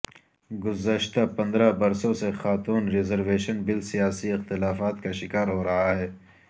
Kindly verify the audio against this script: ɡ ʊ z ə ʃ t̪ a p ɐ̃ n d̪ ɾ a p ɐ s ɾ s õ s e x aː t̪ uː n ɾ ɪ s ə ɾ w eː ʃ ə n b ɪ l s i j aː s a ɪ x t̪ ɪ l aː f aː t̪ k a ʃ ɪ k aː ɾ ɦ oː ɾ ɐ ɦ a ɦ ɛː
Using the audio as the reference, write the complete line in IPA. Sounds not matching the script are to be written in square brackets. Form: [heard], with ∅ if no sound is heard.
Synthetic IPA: ɡ ʊ z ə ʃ t̪ a p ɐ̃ n d̪ ɾ a [b] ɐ [∅] ɾ s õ s e x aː t̪ uː n ɾ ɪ [z] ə ɾ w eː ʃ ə n b ɪ l s i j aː s [i] ɪ x t̪ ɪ l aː f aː t̪ k a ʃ ɪ k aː ɾ ɦ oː ɾ ɐ ɦ a ɦ ɛː